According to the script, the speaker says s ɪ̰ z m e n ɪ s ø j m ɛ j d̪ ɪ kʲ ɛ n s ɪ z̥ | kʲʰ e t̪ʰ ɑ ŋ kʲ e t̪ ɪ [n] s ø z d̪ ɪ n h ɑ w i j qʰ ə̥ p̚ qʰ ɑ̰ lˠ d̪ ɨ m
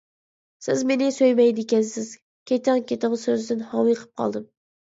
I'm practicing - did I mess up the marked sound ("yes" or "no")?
yes